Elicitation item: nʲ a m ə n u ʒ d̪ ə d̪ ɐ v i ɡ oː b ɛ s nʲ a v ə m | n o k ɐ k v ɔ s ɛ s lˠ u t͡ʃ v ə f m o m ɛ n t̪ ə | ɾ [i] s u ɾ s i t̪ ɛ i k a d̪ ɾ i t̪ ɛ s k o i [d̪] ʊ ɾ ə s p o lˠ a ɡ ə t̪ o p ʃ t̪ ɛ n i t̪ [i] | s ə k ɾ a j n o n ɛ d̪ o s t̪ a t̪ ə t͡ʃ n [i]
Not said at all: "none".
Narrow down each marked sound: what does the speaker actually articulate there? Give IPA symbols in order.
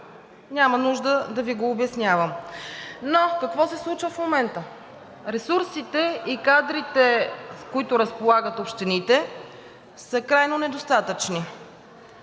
ɛ, t̪, ɛ, i

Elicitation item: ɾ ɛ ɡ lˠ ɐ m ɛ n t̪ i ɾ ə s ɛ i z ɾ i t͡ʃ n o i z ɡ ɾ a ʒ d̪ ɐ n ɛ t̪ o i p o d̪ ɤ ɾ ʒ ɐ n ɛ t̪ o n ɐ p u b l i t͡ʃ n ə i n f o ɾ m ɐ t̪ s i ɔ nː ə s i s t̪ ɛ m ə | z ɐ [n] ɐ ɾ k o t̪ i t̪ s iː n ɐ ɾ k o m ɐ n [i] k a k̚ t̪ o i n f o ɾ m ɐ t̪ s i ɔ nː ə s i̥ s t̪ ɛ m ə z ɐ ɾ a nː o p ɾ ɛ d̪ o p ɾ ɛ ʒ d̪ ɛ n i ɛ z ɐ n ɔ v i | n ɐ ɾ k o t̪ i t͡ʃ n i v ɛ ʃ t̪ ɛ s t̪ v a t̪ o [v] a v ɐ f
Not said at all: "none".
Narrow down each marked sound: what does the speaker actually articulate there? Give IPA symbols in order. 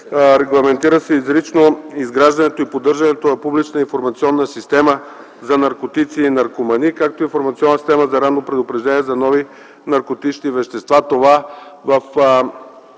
n, i, v

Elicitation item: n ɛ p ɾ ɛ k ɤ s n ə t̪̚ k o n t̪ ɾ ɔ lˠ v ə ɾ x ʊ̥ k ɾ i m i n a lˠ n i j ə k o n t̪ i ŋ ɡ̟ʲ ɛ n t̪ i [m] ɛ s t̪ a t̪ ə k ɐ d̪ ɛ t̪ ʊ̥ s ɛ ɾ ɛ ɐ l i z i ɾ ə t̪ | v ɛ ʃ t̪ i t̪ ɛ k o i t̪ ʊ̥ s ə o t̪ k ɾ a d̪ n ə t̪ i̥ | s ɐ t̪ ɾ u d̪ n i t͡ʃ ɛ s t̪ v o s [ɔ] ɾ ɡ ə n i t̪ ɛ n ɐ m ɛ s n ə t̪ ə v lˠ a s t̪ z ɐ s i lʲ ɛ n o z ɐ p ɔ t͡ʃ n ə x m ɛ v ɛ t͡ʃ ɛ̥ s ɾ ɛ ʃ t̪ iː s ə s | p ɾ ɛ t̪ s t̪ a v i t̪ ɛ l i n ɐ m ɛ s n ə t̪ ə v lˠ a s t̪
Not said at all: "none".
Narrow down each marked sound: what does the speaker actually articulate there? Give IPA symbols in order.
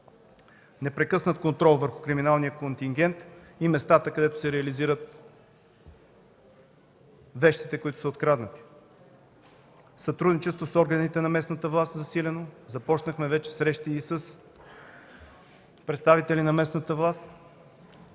m, ɔ

